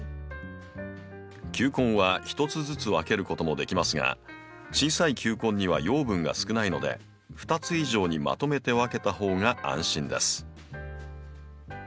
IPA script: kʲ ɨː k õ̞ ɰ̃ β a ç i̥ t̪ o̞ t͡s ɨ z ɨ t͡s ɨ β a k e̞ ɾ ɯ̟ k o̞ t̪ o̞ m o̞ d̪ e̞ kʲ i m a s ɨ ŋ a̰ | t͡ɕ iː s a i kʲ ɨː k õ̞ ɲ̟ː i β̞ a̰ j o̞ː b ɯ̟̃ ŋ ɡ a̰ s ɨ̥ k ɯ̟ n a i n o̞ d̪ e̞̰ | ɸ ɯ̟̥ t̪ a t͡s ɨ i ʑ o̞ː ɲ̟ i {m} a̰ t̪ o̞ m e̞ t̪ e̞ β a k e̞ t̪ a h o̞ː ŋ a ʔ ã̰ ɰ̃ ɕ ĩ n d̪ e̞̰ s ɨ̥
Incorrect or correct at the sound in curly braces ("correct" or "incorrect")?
correct